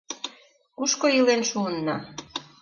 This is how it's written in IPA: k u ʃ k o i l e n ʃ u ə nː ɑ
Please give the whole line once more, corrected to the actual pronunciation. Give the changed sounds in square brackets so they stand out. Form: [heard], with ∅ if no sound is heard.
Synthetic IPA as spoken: k u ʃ k o i l e n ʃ u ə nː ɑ